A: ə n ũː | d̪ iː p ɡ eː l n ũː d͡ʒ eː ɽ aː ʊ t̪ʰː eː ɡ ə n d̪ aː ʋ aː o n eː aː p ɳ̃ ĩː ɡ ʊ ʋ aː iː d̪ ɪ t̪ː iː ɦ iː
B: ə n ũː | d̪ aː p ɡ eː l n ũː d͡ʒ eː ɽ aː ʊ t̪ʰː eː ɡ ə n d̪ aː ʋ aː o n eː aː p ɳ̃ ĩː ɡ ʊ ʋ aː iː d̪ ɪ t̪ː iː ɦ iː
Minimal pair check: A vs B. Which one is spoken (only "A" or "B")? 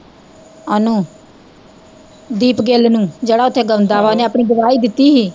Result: A